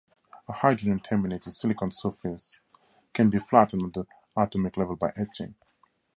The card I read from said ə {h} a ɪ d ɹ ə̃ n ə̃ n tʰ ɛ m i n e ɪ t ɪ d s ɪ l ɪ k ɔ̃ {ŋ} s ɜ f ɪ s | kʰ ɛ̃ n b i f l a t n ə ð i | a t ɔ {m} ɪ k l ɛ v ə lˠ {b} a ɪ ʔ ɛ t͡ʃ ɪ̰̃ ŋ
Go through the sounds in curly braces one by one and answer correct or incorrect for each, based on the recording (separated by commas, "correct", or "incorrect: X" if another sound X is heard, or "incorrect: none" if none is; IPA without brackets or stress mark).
correct, incorrect: n, correct, correct